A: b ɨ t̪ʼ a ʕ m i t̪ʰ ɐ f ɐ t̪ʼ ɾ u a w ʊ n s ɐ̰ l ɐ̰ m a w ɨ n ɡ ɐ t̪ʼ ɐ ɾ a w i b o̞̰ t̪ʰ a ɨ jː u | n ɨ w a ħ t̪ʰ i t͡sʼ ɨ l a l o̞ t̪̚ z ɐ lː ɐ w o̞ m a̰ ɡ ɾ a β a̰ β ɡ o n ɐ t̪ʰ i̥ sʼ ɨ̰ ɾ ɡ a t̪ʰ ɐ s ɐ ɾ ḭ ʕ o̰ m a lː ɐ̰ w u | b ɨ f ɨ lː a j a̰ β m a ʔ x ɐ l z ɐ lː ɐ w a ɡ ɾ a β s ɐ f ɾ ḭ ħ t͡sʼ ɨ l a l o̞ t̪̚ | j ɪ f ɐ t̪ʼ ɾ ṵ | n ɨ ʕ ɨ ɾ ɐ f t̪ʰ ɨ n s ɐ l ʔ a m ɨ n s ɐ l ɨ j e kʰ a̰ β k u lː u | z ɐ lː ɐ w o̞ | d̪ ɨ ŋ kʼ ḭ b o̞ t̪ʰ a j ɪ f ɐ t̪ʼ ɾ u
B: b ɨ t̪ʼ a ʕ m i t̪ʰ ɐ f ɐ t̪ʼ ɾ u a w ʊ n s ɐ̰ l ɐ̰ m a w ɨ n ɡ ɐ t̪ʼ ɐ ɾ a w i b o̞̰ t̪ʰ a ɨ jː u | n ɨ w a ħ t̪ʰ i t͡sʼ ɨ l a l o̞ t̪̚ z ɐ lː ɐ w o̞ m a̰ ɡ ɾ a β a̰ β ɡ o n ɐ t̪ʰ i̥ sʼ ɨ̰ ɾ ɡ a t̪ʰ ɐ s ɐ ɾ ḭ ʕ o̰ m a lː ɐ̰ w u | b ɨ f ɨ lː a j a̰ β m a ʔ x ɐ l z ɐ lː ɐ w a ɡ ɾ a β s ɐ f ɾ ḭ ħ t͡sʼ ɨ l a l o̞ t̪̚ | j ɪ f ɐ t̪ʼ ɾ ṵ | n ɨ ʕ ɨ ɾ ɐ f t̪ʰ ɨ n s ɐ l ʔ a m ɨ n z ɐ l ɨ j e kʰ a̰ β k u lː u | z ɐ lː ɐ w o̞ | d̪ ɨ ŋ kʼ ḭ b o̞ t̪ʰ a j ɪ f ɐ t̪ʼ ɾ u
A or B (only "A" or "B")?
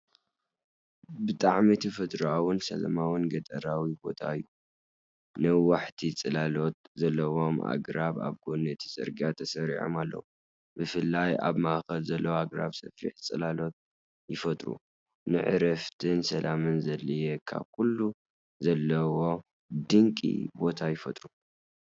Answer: B